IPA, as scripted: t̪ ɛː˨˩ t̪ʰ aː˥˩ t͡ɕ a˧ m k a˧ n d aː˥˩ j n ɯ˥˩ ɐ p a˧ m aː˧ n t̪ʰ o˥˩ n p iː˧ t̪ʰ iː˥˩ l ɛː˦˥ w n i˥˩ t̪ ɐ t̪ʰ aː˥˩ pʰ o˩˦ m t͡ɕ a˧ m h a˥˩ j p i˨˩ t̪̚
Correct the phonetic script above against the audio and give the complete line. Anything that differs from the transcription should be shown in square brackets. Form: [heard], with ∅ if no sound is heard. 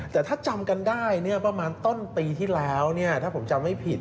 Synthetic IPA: t̪ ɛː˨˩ t̪ʰ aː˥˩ t͡ɕ a˧ m k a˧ n d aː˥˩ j n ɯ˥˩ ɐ p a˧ m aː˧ n [t̪] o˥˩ n p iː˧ t̪ʰ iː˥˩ l ɛː˦˥ w n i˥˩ [∅] ɐ t̪ʰ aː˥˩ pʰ o˩˦ m t͡ɕ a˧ m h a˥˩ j [pʰ] i˨˩ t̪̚